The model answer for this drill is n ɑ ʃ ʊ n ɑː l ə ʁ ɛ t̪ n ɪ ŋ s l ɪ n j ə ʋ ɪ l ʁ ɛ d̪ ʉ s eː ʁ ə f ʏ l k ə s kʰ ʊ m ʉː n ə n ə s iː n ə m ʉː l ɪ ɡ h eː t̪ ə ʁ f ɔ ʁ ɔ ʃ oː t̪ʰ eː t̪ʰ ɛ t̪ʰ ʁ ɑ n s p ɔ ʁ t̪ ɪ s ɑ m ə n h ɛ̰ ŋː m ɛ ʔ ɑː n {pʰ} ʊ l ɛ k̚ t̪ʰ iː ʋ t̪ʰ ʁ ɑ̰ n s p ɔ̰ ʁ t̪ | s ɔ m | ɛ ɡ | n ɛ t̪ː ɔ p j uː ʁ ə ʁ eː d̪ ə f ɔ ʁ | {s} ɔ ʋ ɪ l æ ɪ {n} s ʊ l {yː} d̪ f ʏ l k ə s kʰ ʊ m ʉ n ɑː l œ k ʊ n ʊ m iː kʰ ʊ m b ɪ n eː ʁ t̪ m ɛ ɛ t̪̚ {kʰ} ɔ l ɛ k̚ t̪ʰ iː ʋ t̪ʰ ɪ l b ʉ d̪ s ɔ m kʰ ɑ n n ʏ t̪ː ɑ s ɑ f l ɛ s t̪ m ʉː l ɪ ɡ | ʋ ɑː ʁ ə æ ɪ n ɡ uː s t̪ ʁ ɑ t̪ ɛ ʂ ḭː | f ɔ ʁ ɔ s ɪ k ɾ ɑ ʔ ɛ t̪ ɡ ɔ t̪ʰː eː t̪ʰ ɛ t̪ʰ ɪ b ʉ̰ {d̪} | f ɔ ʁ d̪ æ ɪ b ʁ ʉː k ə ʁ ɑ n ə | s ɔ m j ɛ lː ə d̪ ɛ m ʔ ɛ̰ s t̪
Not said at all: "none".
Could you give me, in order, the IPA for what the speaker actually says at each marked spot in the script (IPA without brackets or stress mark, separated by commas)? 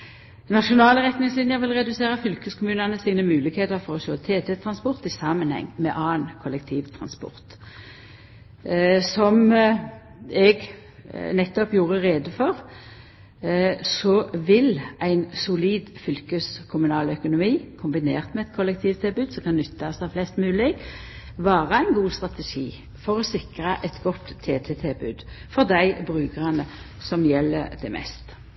kʰ, s, n, iː, kʰ, d̪